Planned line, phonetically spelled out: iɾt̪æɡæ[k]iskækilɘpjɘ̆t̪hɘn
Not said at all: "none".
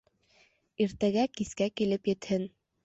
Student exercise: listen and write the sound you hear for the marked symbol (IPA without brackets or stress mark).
k